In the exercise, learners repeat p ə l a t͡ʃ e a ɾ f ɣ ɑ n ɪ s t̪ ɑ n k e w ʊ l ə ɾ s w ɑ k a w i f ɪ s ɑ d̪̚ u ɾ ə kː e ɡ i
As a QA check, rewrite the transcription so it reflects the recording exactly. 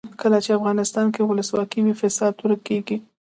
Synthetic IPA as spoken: k ə l a t͡ʃ e a f ɣ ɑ n ɪ s t̪ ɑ n k e w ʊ l ə s w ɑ k i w i f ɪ s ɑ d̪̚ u ɾ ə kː e ɡ i